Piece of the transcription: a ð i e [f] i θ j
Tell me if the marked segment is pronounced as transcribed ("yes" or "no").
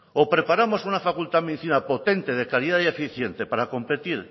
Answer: yes